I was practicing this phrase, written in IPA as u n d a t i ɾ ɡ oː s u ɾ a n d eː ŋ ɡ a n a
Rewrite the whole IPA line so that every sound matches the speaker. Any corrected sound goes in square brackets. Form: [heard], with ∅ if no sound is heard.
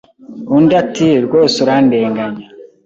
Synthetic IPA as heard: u n d a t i ɾ ɡ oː s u ɾ a n d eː ŋ ɡ a [ɲ] a

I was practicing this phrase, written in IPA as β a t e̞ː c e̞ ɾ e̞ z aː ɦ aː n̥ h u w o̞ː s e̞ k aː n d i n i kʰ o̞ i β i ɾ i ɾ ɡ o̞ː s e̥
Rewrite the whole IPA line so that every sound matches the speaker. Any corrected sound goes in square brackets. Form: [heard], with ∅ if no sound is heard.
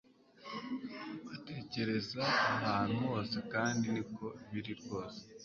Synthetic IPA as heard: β a t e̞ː c e̞ ɾ e̞ z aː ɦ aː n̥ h u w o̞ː s e̞ k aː n d i n i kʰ o̞ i β i ɾ i ɾ ɡ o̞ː s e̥

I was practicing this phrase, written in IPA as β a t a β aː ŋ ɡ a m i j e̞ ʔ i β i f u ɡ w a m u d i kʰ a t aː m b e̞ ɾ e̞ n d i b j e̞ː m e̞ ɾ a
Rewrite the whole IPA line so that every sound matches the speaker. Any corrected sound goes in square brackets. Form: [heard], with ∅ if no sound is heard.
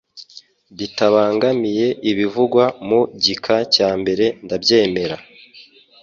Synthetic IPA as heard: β [i] t a β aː ŋ ɡ a m i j e̞ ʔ i β i [v] u ɡ w a m u [ɟ] i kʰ a [c] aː m b e̞ ɾ e̞ n d [a] b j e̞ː m e̞ ɾ a

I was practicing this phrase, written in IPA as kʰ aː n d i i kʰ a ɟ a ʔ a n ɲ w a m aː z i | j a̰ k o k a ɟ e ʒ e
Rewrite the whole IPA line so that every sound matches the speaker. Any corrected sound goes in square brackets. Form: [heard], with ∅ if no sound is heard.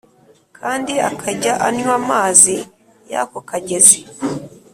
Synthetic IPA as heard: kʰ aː n d i [a] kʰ a ɟ a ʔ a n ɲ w a m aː z i | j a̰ k o k a ɟ e [z] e

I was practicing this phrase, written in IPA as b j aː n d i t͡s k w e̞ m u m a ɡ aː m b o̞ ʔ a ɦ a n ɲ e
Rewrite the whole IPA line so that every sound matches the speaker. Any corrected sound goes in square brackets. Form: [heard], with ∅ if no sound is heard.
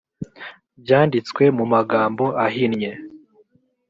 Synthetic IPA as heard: b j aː n d i t͡s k w e̞ m u m a ɡ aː m b o̞ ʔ a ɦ [i] n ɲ e

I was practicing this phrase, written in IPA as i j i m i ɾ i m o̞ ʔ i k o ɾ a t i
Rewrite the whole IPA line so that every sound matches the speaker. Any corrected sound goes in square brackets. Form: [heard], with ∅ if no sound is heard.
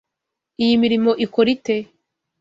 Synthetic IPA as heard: i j i m i ɾ i m o̞ ʔ i k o ɾ [i] t [e]

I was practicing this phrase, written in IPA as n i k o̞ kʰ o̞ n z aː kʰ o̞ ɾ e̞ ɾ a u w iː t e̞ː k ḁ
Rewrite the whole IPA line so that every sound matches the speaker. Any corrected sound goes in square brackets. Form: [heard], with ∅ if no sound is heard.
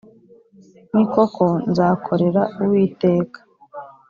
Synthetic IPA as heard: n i k o̞ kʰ o̞ n z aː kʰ o̞ ɾ e̞ ɾ a u w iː t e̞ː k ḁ

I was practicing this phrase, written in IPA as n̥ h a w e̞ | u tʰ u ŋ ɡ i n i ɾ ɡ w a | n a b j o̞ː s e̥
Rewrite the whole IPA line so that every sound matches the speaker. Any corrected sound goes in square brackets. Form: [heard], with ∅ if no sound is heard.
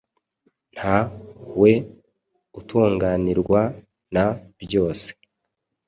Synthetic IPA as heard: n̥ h a w e̞ | u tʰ [uː] ŋ ɡ [a] n i ɾ ɡ w a | n a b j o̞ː s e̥

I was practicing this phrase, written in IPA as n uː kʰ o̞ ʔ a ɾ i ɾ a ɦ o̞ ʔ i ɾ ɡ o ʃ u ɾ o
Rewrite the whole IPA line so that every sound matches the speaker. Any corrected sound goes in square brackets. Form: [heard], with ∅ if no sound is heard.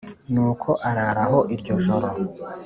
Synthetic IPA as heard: n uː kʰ o̞ ʔ a ɾ [a] ɾ a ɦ o̞ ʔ i ɾ [ɟ] o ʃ [o] ɾ o

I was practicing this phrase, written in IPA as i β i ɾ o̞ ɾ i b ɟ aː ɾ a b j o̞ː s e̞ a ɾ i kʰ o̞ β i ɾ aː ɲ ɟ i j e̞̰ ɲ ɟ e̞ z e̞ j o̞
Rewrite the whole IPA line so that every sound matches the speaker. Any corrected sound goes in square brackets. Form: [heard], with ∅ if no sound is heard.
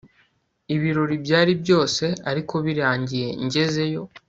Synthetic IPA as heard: i β i ɾ o̞ ɾ i b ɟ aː ɾ [i] b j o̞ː s e̞ a ɾ i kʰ o̞ β i ɾ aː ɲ ɟ i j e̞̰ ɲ ɟ e̞ z e̞ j o̞

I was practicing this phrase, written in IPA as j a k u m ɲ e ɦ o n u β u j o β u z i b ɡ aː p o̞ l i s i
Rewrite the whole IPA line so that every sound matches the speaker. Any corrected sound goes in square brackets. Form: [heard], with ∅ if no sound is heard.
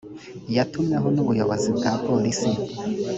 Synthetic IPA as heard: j a [t] u m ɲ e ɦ o n u β u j o β [o] z i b ɡ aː p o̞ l i s i

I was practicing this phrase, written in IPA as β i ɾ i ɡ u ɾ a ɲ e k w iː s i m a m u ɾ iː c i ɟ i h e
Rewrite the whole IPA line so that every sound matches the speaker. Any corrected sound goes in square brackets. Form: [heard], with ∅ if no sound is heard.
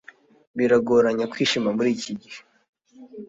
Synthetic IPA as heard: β i ɾ [a] ɡ [o] ɾ a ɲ [a] k w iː [ʃ] i m a m u ɾ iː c i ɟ i h e

